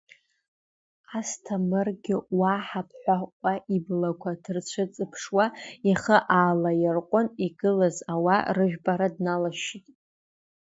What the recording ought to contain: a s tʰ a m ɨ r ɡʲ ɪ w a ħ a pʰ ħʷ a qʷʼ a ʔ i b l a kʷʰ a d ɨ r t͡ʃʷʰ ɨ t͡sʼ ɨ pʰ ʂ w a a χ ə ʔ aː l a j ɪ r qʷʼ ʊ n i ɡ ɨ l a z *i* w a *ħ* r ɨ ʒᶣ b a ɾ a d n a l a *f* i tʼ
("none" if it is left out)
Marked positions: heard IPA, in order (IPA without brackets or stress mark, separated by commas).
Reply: a, none, ʃ